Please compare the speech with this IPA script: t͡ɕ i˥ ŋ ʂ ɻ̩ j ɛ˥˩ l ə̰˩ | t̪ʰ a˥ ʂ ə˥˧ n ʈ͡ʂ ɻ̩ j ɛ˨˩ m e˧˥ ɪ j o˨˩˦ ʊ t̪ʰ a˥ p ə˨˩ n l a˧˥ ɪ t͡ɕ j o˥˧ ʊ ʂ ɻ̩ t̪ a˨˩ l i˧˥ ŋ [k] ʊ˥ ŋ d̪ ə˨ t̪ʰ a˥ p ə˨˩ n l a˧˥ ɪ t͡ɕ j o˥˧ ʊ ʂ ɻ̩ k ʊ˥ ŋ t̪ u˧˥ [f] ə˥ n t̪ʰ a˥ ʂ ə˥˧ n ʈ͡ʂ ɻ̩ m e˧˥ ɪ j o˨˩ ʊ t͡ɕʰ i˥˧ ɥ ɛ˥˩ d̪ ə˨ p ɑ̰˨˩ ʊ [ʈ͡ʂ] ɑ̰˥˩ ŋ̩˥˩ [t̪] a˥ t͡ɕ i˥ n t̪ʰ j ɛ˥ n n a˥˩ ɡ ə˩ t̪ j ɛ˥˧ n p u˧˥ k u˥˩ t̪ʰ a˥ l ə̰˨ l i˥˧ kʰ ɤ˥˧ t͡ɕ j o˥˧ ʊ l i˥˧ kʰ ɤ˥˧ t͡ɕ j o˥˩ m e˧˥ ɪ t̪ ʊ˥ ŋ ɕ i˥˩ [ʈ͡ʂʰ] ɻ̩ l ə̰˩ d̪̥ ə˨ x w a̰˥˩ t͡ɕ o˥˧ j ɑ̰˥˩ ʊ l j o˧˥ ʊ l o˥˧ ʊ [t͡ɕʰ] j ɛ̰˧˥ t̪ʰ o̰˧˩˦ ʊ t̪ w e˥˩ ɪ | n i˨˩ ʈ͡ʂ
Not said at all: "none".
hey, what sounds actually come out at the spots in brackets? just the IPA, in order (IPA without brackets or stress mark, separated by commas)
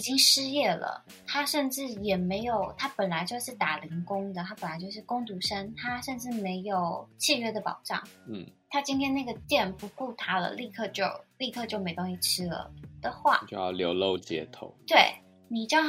k, ʂ, ʈ͡ʂ, t̪ʰ, ʈ͡ʂʰ, t͡ɕ